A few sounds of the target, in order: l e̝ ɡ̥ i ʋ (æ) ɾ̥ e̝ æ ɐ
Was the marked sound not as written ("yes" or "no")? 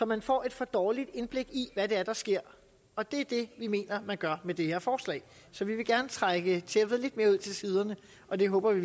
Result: no